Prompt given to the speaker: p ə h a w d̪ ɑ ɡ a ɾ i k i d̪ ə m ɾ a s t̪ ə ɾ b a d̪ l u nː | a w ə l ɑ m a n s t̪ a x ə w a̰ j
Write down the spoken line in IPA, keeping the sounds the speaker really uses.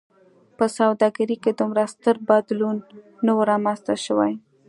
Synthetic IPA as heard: p ə s a w d̪ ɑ ɡ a ɾ i k e d̪ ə m ɾ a s t̪ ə ɾ b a d̪ l u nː | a w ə ɾ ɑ m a n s t̪ a ʃ ə w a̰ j